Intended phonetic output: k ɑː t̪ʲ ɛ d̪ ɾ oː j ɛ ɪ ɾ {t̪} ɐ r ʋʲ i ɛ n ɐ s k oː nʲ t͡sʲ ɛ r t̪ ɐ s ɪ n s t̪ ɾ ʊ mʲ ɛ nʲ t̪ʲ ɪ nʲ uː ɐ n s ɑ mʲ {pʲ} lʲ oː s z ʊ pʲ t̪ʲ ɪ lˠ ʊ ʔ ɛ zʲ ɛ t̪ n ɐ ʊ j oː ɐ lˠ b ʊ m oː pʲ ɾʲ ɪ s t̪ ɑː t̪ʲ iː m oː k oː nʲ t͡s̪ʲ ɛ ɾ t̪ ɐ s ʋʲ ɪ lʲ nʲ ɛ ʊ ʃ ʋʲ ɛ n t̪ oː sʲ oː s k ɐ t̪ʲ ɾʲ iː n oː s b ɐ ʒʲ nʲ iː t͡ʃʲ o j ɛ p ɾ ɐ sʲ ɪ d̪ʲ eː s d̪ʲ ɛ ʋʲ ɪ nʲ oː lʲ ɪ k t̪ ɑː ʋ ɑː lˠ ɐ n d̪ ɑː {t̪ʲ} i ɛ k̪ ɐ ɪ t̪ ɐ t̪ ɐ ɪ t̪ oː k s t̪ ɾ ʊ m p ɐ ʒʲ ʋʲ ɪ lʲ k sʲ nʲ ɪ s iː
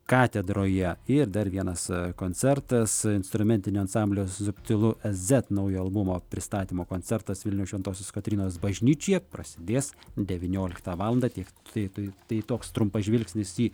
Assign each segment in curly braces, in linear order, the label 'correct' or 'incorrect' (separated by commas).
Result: incorrect, incorrect, correct